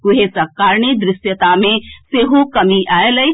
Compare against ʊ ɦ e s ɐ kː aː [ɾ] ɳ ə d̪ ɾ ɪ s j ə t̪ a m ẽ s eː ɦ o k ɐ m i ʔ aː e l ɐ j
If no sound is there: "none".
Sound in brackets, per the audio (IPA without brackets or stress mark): ɾ